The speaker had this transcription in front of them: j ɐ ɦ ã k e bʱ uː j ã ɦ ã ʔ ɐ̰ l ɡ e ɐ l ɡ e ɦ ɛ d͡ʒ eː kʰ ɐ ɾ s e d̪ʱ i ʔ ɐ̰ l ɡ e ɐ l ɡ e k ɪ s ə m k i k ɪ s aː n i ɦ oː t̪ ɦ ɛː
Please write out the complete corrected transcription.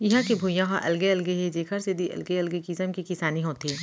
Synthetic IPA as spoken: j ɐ ɦ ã k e bʱ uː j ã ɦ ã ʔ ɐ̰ l ɡ e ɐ l ɡ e ɦ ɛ d͡ʒ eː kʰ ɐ ɾ s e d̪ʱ i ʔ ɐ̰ l ɡ e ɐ l ɡ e k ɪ s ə m k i k ɪ s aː n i ɦ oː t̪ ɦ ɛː

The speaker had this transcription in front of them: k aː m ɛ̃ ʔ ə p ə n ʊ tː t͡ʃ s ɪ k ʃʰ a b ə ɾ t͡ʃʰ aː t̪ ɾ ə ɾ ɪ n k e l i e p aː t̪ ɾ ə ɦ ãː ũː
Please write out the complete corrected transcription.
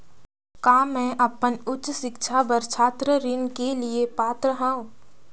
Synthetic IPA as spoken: k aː m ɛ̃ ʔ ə p ə n ʊ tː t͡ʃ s ɪ k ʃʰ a b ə ɾ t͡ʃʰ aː t̪ ɾ ə ɾ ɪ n k e l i e p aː t̪ ɾ ə ɦ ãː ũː

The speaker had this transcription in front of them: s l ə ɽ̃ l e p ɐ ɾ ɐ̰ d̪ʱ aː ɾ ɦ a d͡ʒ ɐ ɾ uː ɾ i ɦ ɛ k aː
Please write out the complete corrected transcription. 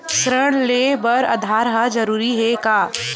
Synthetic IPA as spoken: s ɾ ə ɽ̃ l e b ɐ ɾ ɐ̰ d̪ʱ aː ɾ ɦ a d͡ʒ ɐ ɾ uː ɾ i ɦ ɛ k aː

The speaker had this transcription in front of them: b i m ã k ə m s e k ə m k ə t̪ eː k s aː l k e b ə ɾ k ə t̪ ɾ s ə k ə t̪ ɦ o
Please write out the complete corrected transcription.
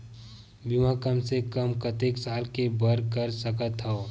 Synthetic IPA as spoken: b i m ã k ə m s e k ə m k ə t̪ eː k s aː l k e b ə ɾ k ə ɾ s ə k ə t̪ ɦ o

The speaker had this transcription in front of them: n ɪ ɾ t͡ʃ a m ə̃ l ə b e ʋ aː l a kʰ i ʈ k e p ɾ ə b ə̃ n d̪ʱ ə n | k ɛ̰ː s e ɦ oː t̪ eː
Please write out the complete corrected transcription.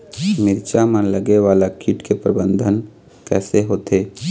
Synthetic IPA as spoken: m ɪ ɾ t͡ʃ a m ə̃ l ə ɡ e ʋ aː l a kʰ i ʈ k e p ɾ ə b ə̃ n d̪ʱ ə n | k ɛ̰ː s e ɦ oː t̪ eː

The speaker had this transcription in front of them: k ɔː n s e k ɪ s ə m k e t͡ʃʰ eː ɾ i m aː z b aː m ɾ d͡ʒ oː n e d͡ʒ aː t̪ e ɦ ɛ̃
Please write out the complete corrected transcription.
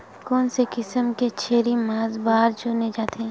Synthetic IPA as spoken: k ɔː n s e k ɪ s ə m k e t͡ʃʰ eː ɾ i m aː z b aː ɾ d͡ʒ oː n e d͡ʒ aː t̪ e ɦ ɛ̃

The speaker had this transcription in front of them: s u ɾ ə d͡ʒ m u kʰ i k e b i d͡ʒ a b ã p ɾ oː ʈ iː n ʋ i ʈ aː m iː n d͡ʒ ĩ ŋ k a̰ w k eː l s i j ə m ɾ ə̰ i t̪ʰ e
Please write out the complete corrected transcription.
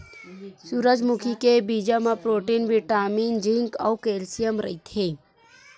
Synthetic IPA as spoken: s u ɾ ə d͡ʒ m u kʰ i k e b i d͡ʒ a m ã p ɾ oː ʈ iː n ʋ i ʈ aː m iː n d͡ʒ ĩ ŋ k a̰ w k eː l s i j ə m ɾ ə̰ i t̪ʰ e

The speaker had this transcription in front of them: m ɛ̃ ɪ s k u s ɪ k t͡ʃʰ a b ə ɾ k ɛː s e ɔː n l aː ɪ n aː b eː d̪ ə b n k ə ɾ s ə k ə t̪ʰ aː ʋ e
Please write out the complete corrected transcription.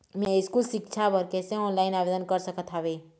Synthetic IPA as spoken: m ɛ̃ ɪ s k u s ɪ k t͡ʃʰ a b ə ɾ k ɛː s e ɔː n l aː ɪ n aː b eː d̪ ə n k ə ɾ s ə k ə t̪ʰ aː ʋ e

